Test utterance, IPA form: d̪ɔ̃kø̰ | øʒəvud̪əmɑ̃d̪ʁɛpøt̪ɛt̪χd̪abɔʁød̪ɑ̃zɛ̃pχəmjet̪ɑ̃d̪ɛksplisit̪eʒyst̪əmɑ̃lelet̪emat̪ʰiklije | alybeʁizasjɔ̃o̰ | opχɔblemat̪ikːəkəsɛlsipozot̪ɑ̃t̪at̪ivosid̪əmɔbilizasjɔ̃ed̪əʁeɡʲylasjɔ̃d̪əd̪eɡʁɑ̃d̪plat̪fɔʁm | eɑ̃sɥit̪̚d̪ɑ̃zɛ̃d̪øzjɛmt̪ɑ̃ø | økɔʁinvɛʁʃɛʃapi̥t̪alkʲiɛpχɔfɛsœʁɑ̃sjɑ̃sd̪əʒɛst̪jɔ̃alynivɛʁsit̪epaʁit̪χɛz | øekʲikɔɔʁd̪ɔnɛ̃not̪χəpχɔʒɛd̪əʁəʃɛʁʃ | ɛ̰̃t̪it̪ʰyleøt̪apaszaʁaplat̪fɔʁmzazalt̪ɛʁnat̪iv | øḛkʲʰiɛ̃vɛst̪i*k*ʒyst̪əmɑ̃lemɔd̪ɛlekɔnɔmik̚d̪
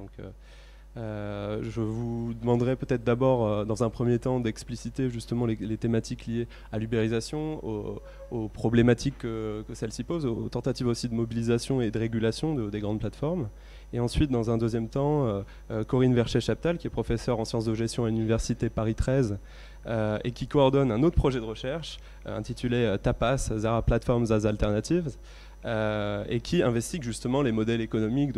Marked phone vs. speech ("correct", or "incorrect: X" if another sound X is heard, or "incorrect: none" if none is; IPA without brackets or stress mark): incorrect: ɡ